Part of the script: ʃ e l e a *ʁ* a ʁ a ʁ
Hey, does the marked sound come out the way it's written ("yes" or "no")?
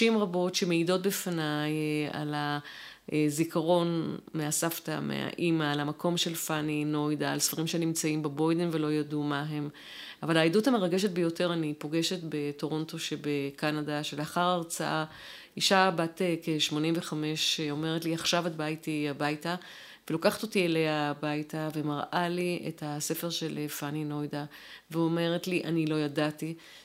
no